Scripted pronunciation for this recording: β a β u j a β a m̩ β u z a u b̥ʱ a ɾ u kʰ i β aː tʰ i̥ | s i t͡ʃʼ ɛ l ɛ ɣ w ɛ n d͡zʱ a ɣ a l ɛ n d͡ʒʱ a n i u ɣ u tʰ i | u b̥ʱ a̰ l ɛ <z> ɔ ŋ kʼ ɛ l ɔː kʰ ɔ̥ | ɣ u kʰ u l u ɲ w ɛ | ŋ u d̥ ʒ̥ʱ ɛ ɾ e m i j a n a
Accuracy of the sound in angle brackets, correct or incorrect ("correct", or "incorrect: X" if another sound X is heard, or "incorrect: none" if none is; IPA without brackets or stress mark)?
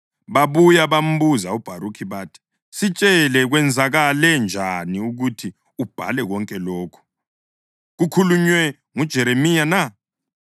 incorrect: ɣ